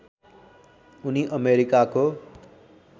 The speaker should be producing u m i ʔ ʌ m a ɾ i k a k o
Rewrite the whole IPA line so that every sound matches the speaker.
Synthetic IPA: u n i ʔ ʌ m e ɾ i k a k o